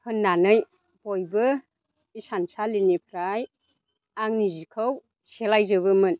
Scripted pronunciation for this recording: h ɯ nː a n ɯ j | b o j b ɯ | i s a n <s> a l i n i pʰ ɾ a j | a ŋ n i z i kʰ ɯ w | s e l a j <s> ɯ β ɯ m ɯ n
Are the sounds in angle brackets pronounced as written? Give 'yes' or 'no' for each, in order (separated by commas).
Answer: yes, no